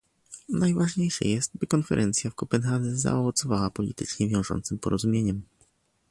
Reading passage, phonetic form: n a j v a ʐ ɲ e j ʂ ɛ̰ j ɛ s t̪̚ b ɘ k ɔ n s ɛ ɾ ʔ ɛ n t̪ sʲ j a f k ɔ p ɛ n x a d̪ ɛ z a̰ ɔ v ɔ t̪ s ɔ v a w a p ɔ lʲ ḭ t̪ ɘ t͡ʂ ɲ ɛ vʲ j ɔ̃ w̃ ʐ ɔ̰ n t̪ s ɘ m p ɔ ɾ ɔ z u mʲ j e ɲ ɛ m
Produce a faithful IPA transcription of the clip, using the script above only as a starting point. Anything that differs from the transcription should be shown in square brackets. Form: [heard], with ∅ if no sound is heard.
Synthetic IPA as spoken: n a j v a ʐ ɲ e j ʂ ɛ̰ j ɛ s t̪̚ b ɘ k ɔ n [f] ɛ ɾ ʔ ɛ n t̪ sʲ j a f k ɔ p ɛ n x a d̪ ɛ z a̰ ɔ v ɔ t̪ s ɔ v a w a p ɔ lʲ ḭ t̪ ɘ t͡ʂ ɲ ɛ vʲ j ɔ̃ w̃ ʐ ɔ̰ n t̪ s ɘ m p ɔ ɾ ɔ z u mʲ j e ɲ ɛ m